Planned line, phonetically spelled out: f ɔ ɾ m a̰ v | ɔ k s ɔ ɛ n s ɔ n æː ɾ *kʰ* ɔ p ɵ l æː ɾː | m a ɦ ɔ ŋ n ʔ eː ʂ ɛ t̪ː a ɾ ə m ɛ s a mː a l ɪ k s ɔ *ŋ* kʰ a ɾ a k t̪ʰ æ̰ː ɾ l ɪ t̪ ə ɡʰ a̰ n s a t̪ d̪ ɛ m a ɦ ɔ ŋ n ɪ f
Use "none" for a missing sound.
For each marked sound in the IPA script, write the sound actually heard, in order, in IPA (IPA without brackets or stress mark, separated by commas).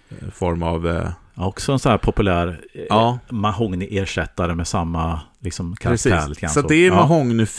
pʰ, m